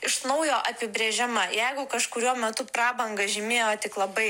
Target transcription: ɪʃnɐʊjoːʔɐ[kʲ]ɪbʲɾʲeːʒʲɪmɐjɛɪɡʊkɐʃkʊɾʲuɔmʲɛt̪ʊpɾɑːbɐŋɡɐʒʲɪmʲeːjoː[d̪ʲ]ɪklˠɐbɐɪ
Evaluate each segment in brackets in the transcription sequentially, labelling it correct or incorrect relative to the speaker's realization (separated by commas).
incorrect, incorrect